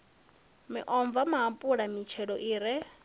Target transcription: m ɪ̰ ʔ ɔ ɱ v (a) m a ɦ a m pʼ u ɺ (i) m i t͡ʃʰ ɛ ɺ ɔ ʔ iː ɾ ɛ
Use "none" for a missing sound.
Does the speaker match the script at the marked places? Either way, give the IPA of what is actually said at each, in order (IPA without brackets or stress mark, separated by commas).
a, a